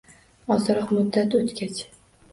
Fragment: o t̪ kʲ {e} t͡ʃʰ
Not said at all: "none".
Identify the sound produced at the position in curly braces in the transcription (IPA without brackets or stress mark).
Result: a